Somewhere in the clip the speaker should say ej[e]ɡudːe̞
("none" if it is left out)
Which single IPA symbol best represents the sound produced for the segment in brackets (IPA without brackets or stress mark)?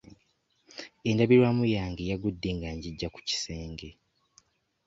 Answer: a